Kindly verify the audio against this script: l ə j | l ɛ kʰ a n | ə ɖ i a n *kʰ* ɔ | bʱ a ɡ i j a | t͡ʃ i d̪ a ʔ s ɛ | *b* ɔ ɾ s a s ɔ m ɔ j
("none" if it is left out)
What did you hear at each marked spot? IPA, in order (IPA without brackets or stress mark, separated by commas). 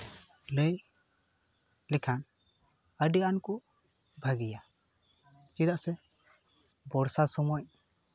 k, b